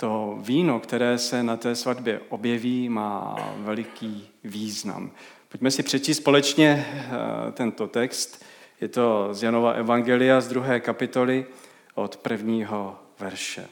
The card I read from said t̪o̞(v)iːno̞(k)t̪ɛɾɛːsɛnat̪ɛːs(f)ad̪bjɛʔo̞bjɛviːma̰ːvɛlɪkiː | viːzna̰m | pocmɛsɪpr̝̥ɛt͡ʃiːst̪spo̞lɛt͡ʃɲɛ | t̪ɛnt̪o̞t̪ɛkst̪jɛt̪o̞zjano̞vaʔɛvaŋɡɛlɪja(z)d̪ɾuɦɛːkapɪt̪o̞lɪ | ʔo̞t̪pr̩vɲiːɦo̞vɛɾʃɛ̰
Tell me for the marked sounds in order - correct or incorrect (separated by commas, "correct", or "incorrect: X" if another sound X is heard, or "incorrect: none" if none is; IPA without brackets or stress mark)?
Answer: correct, correct, incorrect: v, correct